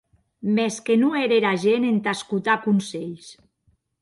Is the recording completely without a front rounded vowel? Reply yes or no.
yes